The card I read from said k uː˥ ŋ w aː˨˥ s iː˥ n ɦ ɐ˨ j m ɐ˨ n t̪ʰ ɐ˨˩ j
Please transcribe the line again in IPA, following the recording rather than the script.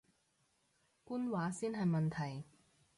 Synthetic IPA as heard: k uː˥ n w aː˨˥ s iː˥ n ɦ ɐ˨ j m ɐ˨ n t̪ʰ ɐ˨˩ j